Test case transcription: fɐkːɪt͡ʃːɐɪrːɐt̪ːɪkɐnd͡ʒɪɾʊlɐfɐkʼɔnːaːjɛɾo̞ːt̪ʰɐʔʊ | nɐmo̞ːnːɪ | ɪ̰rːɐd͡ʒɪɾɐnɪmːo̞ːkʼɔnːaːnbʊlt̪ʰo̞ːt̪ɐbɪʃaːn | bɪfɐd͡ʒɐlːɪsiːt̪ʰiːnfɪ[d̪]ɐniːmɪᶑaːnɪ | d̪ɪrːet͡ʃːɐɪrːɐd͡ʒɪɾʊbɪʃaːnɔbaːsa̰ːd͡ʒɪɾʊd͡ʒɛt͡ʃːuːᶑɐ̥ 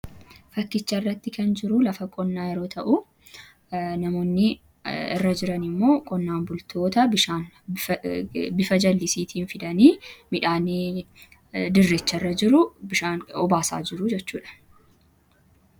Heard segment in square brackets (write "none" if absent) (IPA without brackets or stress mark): d̪